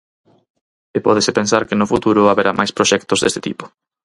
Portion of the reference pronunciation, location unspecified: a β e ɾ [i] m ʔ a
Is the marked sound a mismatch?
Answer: yes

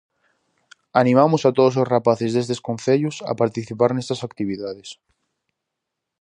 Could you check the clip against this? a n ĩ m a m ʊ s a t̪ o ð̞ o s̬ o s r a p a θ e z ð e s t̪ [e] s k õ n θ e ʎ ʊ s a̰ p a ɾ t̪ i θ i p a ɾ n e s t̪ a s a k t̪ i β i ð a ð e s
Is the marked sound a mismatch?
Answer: no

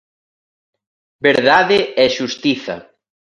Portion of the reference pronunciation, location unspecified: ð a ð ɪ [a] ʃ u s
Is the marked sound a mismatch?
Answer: yes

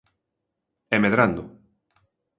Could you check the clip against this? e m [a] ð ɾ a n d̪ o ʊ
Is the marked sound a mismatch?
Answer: yes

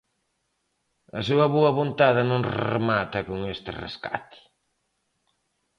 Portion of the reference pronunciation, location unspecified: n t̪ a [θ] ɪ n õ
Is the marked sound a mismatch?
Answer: yes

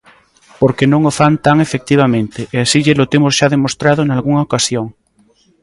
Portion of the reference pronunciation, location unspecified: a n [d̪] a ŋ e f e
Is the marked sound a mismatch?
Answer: yes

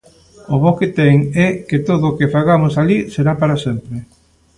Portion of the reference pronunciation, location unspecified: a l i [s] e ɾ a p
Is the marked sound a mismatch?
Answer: no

